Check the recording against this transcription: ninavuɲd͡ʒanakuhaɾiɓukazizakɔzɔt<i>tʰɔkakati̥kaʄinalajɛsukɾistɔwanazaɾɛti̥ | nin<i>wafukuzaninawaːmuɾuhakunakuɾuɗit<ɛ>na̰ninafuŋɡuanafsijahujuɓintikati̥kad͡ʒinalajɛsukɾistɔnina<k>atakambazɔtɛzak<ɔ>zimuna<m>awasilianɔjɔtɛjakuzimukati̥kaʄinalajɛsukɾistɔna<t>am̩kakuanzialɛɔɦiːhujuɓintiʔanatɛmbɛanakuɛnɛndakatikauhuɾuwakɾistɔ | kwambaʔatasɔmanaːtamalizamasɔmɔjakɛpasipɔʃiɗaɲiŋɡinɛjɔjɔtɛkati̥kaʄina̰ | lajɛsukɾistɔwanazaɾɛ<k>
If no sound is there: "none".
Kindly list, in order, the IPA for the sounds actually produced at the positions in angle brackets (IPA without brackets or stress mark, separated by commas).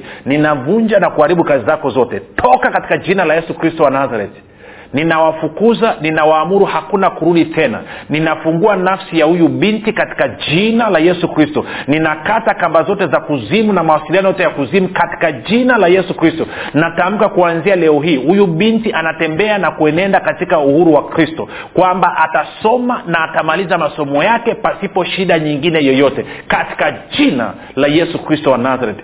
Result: ɛ, a, ɛ, k, u, m, t, t